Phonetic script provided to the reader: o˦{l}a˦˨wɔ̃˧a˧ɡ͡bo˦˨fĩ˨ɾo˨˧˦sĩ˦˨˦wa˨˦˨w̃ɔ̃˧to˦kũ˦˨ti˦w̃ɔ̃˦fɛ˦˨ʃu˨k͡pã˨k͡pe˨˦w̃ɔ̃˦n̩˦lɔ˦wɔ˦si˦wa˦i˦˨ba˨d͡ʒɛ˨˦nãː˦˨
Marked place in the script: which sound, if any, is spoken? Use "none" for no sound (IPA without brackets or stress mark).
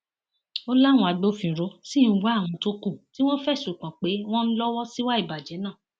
l